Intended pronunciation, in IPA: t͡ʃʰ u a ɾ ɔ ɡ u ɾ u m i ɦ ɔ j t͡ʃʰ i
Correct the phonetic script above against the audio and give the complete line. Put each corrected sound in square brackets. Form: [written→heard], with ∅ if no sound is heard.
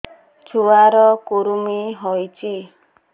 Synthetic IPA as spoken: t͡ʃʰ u a ɾ ɔ [ɡ→k] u ɾ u m i ɦ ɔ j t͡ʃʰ i